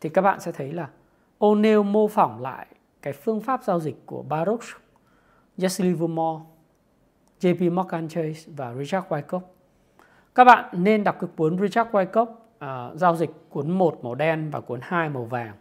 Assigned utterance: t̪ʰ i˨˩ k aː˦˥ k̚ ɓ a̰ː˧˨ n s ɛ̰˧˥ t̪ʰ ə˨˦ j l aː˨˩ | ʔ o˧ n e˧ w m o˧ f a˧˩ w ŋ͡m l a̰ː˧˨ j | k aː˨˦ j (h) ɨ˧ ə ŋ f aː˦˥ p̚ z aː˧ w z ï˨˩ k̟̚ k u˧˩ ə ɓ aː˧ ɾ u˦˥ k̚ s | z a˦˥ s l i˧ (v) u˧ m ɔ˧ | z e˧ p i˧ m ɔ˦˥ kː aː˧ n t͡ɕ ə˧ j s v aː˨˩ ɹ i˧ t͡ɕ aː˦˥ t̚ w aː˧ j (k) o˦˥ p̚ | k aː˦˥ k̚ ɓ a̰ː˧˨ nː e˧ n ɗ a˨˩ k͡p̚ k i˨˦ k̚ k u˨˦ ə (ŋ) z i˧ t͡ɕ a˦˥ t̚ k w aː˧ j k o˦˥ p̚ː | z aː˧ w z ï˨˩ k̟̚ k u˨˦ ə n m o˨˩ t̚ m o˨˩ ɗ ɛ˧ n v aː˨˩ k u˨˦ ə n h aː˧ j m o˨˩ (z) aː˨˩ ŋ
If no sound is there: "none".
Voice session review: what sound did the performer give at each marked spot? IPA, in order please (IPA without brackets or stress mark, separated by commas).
f, v, k, n, v